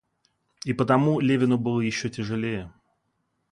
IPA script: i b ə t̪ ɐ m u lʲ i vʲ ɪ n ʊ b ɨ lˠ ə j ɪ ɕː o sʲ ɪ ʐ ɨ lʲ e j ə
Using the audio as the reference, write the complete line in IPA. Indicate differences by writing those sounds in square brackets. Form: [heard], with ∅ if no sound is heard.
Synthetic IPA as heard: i [p] ə t̪ ɐ m u lʲ [e] vʲ ɪ n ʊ b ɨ lˠ ə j ɪ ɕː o [tʲ] ɪ ʐ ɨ lʲ e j ə